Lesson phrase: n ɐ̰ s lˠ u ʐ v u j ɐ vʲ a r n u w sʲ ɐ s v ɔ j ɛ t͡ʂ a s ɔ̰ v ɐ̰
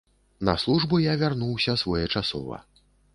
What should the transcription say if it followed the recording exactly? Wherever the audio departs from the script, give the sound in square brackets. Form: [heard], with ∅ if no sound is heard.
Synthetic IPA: n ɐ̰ s lˠ u ʐ [b] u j [a] vʲ a r n u w sʲ ɐ s v ɔ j ɛ t͡ʂ a s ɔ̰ v ɐ̰